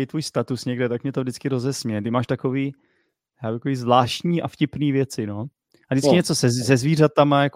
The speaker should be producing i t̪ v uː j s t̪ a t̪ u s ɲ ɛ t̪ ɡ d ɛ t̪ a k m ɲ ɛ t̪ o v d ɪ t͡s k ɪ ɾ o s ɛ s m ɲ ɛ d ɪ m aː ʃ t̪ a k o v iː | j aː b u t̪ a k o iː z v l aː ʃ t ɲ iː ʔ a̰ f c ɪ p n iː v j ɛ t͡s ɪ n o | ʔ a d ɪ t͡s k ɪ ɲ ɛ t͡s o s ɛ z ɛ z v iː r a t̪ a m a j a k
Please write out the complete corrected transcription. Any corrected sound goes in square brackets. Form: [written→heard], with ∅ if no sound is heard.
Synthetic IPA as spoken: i t̪ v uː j s t̪ a t̪ u s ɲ ɛ [t̪→∅] ɡ d ɛ t̪ a k m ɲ ɛ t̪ o v d ɪ t͡s k ɪ ɾ o [s→z] ɛ s m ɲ ɛ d ɪ m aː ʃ t̪ a k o v iː | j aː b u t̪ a k o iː z v l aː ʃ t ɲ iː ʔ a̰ f c ɪ p n iː v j ɛ t͡s ɪ n o | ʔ a d ɪ t͡s k ɪ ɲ ɛ t͡s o s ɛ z ɛ z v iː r a t̪ a m a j a k